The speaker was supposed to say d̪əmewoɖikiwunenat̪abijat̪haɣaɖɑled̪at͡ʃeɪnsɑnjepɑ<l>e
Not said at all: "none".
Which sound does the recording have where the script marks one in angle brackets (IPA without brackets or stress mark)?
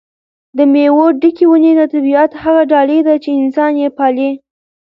l